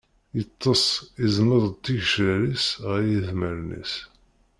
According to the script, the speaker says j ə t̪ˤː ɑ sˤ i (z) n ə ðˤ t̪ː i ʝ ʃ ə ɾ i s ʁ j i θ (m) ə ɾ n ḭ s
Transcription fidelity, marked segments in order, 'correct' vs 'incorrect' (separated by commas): correct, correct